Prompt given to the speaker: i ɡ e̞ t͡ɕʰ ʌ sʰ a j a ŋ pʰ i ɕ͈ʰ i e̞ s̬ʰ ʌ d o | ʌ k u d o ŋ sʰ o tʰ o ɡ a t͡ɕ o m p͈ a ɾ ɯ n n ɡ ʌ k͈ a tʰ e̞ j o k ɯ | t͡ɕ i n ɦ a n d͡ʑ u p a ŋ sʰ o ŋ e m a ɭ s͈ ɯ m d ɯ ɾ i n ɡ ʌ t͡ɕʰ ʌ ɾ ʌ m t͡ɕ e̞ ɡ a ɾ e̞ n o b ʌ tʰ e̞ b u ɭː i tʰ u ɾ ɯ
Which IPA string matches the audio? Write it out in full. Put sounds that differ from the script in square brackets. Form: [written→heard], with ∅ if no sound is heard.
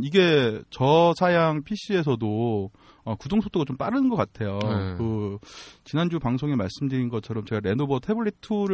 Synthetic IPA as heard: i ɡ e̞ [t͡ɕʰ→t͡ɕ] ʌ sʰ a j a ŋ pʰ i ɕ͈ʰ i e̞ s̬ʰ ʌ d o | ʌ k u d o ŋ sʰ o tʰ o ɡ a t͡ɕ o m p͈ a ɾ ɯ n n ɡ ʌ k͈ a tʰ e̞ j o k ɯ | t͡ɕ i n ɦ a n d͡ʑ u p a ŋ sʰ o ŋ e m a ɭ s͈ ɯ m d ɯ ɾ i n ɡ ʌ t͡ɕʰ ʌ ɾ ʌ m t͡ɕ e̞ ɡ a ɾ e̞ n o b ʌ tʰ e̞ b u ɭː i tʰ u ɾ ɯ